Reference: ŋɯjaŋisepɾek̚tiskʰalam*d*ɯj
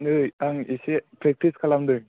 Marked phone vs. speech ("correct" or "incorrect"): correct